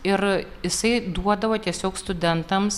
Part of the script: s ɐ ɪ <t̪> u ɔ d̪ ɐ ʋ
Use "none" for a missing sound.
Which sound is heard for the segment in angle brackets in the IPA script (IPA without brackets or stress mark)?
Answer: d̪